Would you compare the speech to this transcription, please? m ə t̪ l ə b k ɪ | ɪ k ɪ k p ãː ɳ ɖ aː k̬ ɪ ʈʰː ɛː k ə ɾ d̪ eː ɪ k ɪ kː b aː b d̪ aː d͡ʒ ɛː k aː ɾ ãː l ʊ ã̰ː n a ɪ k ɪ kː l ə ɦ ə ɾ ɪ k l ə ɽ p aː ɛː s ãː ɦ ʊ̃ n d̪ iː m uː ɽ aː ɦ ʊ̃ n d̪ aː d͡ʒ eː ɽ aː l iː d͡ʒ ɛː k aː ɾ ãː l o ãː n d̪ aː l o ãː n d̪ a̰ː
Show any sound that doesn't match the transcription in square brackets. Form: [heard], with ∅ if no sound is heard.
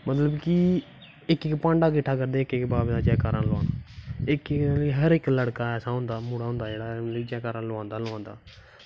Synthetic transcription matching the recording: m ə t̪ l ə b k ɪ | ɪ k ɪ k p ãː ɳ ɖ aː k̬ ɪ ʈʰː [aː] k ə ɾ d̪ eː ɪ k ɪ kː b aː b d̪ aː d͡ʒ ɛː k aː ɾ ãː l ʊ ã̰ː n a ɪ k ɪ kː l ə ɦ ə ɾ ɪ k l ə ɽ [k] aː ɛː s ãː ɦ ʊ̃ n d̪ [aː] m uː ɽ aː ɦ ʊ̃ n d̪ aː d͡ʒ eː ɽ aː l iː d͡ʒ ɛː k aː ɾ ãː l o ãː n d̪ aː l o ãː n d̪ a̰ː